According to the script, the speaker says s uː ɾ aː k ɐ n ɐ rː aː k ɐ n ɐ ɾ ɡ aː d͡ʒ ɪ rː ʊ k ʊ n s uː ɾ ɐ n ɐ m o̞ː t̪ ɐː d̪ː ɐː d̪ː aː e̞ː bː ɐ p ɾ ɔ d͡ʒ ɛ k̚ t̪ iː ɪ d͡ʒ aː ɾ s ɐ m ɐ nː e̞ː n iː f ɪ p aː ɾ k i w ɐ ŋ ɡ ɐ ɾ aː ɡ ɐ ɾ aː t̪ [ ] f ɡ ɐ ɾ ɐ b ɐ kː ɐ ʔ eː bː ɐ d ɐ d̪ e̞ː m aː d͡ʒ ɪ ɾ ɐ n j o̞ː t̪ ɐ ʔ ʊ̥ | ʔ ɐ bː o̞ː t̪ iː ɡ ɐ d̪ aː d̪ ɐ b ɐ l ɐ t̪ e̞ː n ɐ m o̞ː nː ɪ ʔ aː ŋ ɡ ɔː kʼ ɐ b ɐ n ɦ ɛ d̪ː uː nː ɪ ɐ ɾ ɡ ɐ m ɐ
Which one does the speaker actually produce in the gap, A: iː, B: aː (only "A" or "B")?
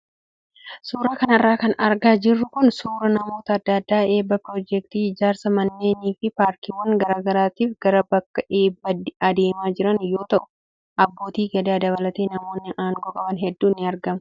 A